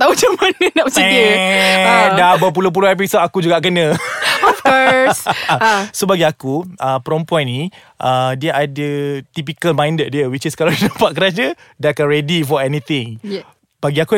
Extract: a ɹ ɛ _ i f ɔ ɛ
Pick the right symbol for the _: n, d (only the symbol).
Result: d